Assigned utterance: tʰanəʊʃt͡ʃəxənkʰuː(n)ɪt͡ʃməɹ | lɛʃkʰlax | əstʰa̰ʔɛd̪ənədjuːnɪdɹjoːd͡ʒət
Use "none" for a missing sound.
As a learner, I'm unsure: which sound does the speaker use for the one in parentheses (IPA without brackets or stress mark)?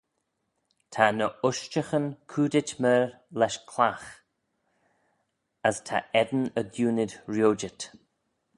d